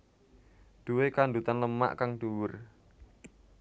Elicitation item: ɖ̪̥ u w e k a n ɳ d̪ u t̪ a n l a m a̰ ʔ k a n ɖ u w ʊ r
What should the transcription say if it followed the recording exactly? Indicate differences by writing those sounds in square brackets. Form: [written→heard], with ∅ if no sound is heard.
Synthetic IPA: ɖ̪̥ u w e k a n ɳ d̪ u t̪ a n l [a→ə] m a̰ ʔ k a [n→ŋ] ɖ u w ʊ r